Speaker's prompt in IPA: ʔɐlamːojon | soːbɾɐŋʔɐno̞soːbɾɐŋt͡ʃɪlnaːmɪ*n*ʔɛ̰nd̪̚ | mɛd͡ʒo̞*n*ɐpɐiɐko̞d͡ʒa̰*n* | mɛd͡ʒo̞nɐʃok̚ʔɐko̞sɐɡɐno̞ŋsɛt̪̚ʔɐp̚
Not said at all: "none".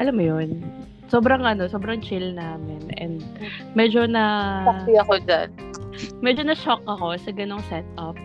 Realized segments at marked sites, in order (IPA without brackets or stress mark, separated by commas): n, n, n